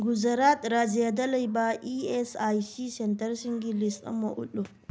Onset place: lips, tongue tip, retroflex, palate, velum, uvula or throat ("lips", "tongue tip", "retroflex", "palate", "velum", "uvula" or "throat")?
velum